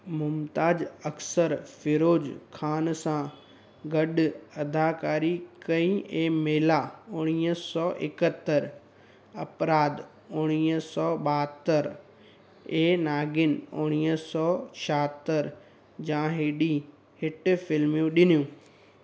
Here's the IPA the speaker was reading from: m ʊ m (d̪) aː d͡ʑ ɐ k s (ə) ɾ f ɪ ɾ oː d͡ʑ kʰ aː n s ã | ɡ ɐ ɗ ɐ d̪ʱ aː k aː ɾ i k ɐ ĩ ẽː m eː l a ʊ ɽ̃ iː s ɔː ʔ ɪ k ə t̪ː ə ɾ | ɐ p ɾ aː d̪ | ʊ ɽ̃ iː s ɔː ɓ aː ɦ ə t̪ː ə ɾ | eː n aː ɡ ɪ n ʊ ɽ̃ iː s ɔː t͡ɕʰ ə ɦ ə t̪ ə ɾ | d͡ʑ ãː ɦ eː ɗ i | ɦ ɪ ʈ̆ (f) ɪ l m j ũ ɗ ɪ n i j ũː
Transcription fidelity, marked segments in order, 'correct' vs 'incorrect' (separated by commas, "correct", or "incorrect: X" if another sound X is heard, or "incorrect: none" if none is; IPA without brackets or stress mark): incorrect: t̪, correct, correct